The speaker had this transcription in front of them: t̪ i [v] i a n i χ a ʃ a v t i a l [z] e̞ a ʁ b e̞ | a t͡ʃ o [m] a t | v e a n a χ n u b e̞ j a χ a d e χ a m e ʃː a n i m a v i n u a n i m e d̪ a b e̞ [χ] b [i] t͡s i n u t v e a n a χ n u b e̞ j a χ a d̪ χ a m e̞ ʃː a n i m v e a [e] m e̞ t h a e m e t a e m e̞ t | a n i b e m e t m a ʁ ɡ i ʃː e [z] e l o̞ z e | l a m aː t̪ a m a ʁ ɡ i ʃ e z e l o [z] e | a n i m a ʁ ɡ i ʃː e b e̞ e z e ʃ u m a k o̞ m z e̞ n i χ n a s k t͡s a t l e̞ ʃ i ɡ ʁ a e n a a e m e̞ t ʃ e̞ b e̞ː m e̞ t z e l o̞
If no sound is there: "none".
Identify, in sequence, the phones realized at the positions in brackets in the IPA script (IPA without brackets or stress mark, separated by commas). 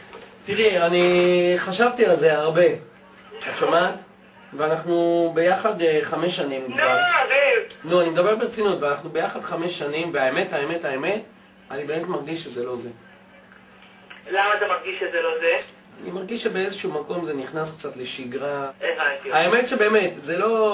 ʁ, z, m, ʁ, e, e, z, z